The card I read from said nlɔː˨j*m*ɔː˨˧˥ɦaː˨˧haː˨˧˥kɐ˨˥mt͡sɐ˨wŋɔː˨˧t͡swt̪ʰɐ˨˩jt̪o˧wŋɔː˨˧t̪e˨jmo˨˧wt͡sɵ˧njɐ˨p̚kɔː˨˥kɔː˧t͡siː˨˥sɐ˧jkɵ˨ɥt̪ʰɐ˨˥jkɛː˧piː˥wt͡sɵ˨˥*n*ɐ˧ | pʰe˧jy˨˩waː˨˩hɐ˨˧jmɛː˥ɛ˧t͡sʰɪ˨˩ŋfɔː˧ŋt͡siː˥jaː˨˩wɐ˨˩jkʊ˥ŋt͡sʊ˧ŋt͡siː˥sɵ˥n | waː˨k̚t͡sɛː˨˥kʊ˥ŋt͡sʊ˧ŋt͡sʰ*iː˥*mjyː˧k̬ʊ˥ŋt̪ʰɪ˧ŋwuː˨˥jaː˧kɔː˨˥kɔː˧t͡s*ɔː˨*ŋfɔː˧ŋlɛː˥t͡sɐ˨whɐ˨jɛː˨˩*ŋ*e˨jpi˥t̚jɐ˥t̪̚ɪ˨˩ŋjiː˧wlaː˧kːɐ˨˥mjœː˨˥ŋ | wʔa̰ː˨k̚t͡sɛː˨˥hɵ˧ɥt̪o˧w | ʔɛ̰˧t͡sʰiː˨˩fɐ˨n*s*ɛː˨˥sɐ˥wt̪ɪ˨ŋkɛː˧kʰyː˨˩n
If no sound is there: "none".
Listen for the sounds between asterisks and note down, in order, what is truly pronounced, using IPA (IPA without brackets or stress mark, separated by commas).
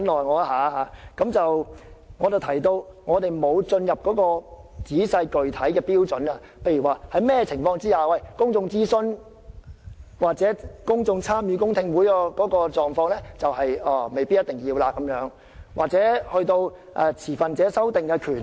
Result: ŋ, n, aː˥, ɔː˨, m, t͡s